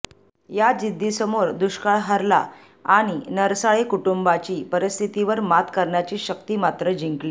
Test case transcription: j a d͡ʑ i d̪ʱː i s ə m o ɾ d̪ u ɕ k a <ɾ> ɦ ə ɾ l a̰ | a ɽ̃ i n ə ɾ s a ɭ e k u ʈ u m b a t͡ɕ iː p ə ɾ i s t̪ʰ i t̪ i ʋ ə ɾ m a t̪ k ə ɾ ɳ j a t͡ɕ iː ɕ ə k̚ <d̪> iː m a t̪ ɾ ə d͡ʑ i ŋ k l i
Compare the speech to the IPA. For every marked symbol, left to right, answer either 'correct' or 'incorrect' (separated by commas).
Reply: incorrect, incorrect